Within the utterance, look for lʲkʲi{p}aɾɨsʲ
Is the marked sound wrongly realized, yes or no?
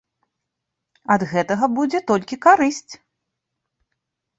yes